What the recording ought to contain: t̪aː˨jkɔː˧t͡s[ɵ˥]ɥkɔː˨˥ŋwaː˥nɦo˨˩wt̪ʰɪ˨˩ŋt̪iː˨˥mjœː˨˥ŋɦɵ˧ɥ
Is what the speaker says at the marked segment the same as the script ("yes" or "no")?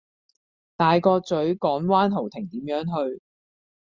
no